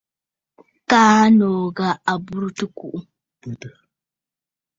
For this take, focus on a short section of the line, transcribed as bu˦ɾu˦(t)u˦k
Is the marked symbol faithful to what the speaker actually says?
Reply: yes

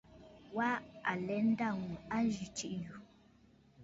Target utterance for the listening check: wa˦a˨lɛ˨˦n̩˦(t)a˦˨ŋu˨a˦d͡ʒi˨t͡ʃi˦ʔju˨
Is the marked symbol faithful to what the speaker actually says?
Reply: no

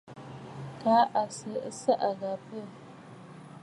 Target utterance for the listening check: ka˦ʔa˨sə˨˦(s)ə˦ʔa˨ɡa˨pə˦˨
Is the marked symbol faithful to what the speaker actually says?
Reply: yes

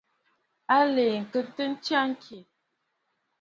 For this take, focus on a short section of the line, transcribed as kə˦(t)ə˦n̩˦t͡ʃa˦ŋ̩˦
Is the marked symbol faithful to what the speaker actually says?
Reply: yes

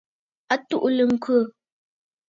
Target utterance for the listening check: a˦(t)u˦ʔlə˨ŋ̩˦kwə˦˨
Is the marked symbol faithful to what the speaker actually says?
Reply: yes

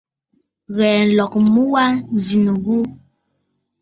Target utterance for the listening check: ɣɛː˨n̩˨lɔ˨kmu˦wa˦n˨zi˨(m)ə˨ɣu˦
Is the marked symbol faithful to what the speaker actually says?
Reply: no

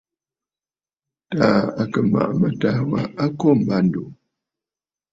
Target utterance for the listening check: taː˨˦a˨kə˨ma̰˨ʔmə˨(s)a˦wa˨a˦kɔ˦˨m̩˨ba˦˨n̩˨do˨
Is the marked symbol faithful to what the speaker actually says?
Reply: no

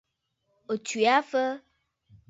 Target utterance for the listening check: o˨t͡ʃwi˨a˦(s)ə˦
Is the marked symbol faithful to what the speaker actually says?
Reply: no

